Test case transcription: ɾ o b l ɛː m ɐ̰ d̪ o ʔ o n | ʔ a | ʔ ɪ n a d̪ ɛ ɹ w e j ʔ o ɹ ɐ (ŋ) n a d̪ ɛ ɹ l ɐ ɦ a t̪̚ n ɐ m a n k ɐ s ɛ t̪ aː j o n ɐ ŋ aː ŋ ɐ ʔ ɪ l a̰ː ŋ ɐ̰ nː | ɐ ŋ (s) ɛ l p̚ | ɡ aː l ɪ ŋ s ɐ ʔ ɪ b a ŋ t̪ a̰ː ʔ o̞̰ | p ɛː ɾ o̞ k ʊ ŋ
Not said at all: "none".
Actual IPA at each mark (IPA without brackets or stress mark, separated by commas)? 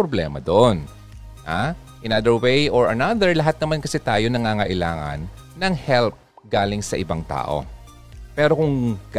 none, h